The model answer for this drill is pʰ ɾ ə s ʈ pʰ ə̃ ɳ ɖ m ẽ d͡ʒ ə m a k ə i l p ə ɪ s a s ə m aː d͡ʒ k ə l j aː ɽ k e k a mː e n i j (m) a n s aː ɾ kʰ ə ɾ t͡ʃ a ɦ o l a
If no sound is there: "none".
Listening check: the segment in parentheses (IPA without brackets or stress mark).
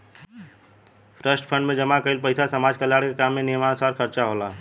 m